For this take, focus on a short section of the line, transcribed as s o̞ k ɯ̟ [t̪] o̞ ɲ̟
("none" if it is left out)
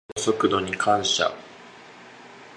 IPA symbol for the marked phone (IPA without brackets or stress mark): d̪